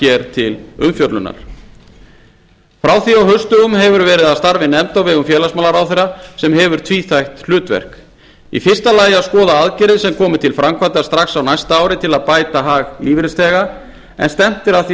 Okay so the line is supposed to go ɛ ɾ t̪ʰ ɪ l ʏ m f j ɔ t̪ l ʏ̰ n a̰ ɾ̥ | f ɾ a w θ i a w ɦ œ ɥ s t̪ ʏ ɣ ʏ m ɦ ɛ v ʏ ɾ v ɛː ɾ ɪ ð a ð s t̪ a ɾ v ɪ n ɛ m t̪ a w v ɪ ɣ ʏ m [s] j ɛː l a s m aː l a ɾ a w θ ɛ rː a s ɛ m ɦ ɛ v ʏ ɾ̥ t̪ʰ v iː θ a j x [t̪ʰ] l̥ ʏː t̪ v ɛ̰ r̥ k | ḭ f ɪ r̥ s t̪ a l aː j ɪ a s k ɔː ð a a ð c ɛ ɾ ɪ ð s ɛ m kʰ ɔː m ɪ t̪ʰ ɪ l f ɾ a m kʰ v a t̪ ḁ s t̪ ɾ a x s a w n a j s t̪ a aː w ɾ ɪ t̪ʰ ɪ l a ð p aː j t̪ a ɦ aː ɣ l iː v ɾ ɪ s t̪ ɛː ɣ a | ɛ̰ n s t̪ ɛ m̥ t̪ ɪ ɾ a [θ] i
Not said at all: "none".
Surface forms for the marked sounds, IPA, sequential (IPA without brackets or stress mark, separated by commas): f, t̪, θ